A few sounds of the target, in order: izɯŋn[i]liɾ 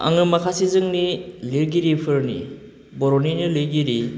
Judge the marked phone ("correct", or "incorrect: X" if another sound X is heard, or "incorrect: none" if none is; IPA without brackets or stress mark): correct